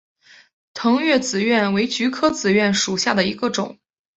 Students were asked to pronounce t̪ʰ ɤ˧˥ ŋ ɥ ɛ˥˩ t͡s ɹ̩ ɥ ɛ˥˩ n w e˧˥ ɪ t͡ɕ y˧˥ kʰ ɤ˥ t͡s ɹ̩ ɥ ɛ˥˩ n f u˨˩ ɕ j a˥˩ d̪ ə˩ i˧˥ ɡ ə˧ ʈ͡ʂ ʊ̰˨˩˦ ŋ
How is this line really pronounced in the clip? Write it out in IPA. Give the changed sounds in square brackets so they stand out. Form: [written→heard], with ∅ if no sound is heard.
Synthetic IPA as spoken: t̪ʰ ɤ˧˥ ŋ ɥ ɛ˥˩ t͡s ɹ̩ ɥ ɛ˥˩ n w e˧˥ ɪ t͡ɕ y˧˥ kʰ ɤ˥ t͡s ɹ̩ ɥ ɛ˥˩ n [f→ʂ] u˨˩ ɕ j a˥˩ d̪ ə˩ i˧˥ ɡ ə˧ ʈ͡ʂ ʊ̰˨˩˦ ŋ